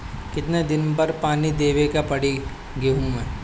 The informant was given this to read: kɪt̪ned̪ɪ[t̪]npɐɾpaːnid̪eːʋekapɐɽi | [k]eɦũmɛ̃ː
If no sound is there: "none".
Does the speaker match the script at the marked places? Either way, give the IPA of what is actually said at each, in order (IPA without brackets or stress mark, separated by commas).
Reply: none, ɡ